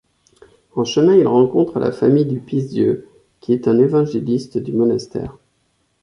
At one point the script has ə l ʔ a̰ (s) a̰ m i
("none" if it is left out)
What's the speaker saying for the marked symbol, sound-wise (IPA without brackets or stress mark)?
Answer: f